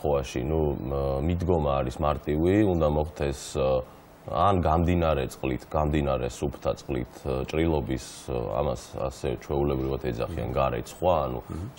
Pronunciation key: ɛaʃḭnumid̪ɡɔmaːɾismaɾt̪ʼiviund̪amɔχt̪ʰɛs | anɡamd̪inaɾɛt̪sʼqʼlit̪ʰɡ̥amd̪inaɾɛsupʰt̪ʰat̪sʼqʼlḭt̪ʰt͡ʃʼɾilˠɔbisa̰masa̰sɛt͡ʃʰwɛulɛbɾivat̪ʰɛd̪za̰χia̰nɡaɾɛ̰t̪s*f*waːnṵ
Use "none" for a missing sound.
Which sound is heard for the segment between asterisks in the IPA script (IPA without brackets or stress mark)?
χ